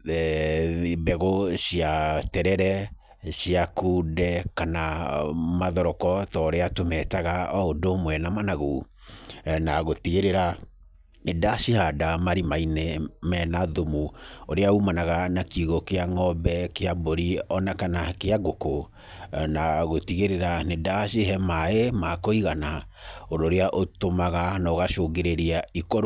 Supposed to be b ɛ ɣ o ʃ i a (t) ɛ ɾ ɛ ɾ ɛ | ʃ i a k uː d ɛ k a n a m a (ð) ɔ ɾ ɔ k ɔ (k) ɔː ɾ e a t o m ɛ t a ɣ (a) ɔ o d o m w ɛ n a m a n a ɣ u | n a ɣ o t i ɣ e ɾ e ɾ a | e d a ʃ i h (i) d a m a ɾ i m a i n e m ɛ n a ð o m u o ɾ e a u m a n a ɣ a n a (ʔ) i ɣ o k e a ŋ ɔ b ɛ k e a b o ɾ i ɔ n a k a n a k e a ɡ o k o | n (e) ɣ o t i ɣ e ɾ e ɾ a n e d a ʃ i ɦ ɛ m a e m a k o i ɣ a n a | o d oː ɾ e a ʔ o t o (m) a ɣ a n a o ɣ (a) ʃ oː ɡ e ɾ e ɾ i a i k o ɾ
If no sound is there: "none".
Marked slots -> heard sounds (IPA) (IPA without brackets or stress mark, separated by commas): t, ð, t, a, a, k, a, m, a